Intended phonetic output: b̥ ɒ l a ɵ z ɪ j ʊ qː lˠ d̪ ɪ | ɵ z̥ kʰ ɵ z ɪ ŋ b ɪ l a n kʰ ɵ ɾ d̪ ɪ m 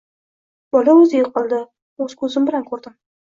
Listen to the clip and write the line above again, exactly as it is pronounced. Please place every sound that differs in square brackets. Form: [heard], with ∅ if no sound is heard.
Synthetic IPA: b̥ ɒ l a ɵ z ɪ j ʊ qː lˠ d̪ ɪ | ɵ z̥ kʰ ɵ z ɪ [m] b ɪ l a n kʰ ɵ ɾ d̪ ɪ m